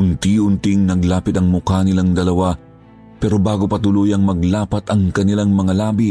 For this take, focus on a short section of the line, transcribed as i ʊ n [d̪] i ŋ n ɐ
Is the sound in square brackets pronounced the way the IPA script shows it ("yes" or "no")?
no